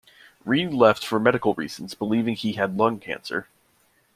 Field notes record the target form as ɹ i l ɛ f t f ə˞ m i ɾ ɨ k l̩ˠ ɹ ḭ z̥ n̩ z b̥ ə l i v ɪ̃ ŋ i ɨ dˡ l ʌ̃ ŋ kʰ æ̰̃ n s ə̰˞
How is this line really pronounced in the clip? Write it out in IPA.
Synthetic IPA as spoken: ɹ i l ɛ f t f ə˞ m ɛ ɾ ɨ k l̩ˠ ɹ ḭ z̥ n̩ z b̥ ə l i v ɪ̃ ŋ i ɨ dˡ l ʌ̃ ŋ kʰ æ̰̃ n s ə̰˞